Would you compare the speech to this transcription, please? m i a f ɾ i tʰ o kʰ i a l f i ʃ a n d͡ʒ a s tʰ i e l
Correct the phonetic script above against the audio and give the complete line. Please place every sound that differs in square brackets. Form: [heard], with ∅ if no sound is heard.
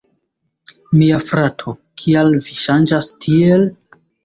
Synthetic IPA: m i a f ɾ [a] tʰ o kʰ i a l [v] i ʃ a n d͡ʒ a s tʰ i e l

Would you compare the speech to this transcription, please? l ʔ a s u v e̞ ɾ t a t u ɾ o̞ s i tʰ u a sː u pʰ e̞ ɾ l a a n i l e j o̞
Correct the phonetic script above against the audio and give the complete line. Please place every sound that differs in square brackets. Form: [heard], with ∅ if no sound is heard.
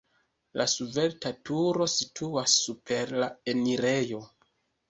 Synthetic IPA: l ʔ a s u v e̞ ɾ t a t u ɾ o̞ s i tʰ u a sː u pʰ e̞ ɾ l a [e] n i [ɾ] e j o̞

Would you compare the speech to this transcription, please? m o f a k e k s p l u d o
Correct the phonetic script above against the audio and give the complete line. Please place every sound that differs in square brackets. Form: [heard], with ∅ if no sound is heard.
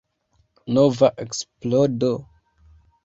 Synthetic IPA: [n] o [v] a [ʔ] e k s p l [o] d o

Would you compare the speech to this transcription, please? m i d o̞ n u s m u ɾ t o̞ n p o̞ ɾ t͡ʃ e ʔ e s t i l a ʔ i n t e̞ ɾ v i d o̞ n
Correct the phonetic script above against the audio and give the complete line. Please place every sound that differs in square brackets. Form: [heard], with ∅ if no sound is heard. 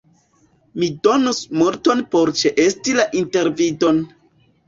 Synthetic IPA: m i d o̞ n u s m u ɾ t o̞ n p o̞ ɾ t͡ʃ e ʔ e s t i l a ʔ i n t e̞ ɾ v i d o̞ n

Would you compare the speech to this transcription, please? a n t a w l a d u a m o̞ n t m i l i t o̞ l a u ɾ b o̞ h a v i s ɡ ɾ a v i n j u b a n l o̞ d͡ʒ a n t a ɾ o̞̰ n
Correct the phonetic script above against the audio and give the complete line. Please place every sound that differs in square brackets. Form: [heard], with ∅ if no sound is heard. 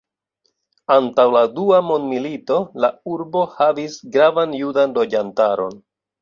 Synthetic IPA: a n t a w l a d u a m o̞ n [d] m i l i t o̞ l a u ɾ b o̞ h a v i s ɡ ɾ a v [a] n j u [d] a n l o̞ d͡ʒ a n t a ɾ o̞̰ n

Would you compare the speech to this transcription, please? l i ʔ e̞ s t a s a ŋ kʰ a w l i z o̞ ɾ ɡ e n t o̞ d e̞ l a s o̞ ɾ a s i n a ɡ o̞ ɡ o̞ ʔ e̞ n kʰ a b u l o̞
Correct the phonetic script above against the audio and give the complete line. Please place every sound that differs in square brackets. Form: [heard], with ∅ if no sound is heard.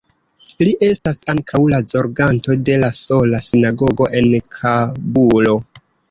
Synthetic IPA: l i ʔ e̞ s t a s a ŋ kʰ a w l [a] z o̞ ɾ ɡ [a] n t o̞ d e̞ l a s o̞ [l] a s i n a ɡ o̞ ɡ o̞ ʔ e̞ n kʰ a b u l o̞

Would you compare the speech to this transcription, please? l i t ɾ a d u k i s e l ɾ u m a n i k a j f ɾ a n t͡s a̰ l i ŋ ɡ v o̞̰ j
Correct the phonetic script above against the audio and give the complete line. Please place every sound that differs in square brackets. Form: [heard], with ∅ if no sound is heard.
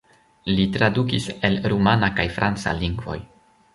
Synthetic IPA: l i t ɾ a d u k i s e l ɾ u m a n [a] k a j f ɾ a n t͡s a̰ l i ŋ ɡ v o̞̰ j

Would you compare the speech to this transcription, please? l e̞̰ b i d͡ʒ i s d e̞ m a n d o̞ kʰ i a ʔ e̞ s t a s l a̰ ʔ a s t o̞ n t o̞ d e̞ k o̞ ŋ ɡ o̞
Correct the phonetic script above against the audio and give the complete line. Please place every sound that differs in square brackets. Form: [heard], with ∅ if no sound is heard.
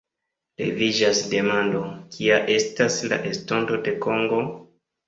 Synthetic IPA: l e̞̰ [v] i d͡ʒ [a] s d e̞ m a n d o̞ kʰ i a ʔ e̞ s t a s l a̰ ʔ [e] s t o̞ n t o̞ d e̞ k o̞ ŋ ɡ o̞

